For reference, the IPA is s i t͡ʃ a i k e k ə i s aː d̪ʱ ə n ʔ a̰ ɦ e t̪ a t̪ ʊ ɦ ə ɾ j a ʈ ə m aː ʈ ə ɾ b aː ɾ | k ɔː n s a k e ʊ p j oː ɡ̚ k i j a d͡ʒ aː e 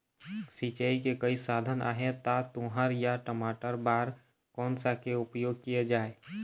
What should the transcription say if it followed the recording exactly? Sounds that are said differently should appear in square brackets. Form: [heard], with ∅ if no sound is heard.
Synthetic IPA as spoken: s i t͡ʃ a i k e k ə i s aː d̪ʱ ə n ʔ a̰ ɦ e t̪ a t̪ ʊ ɦ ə ɾ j a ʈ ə m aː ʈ ə ɾ b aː ɾ | k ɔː n s a k e ʊ p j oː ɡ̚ k i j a d͡ʒ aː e